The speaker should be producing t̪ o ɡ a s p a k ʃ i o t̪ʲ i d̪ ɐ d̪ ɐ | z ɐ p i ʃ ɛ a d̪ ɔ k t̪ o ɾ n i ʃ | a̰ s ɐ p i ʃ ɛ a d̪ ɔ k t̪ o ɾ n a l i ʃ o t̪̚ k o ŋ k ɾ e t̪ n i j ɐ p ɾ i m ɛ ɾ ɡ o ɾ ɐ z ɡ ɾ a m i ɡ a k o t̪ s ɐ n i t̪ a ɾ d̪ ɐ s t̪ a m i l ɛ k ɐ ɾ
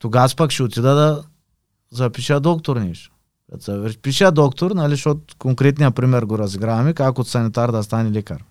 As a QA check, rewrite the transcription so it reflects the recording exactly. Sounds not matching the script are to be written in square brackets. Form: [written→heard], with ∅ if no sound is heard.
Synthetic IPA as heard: t̪ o ɡ a s p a k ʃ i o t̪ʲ i d̪ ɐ d̪ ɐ | z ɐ p i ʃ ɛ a d̪ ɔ k t̪ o ɾ n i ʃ | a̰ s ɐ p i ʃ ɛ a d̪ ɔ k t̪ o ɾ n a l i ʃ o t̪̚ k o ŋ k ɾ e t̪ n i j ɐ p ɾ i m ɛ ɾ ɡ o ɾ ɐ z ɡ ɾ a m i [ɡ→k] a k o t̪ s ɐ n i t̪ a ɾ d̪ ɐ s t̪ a [m→n] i l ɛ k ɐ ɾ